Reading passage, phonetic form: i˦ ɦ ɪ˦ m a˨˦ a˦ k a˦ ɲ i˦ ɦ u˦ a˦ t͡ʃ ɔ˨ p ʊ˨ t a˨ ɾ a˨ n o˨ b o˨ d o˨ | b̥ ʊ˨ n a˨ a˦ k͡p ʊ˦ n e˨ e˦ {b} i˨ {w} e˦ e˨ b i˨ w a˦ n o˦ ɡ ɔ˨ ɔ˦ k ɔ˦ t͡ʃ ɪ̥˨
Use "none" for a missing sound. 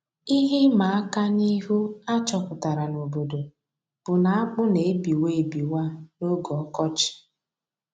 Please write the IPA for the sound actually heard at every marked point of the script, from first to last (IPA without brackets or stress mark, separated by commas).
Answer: b, w